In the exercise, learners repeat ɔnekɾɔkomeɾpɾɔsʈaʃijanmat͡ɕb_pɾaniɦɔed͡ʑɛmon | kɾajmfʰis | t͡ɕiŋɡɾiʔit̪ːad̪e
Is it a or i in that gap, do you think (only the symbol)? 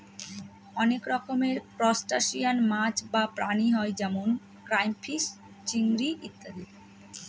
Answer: a